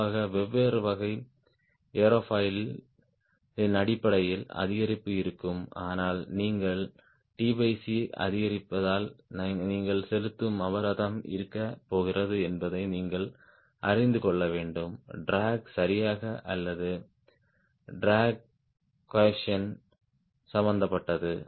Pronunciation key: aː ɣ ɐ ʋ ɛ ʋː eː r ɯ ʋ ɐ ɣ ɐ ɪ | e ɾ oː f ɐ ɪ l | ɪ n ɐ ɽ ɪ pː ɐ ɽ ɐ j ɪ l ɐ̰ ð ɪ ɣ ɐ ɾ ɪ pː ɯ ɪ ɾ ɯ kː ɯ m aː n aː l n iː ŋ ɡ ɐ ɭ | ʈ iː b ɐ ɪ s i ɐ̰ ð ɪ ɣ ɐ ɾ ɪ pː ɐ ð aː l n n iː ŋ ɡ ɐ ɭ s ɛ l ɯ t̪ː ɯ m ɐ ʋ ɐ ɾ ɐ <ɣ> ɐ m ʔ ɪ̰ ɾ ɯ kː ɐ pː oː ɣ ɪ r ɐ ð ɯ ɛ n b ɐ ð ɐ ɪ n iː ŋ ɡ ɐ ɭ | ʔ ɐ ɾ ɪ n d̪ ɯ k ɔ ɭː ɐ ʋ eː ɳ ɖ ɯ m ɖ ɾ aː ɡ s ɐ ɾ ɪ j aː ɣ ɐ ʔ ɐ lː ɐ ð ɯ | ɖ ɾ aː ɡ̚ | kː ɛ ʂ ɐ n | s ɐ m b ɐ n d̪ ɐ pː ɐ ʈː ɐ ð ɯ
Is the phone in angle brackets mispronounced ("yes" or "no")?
yes